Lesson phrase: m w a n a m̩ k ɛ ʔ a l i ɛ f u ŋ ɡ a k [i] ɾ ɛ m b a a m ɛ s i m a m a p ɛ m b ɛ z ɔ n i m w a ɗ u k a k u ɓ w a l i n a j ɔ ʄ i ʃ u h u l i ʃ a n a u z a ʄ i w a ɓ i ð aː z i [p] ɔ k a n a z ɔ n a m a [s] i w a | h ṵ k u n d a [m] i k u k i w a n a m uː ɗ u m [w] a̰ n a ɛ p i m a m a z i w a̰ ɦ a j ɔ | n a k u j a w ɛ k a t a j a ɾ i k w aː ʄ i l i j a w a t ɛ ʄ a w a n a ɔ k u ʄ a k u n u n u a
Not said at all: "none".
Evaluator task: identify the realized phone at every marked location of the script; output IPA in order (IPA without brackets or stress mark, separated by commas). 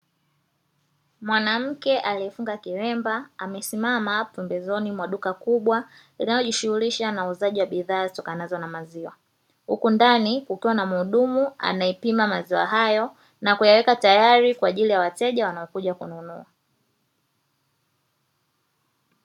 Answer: i, t, z, n, u